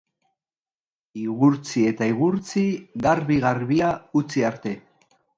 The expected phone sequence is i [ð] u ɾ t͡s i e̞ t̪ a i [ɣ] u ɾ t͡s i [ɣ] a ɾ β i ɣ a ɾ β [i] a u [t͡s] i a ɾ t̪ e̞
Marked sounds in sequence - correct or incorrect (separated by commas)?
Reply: incorrect, correct, correct, correct, correct